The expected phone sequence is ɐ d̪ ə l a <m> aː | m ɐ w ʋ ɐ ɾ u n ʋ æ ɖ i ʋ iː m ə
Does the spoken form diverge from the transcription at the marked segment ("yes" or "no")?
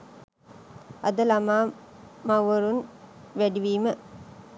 no